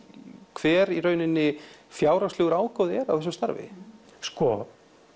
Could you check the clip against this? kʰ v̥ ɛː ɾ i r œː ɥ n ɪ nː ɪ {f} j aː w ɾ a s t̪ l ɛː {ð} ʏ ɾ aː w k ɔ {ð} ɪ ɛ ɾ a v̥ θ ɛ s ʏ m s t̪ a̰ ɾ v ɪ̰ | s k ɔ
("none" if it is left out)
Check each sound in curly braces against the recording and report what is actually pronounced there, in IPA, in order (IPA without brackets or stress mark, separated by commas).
f, ɣ, ð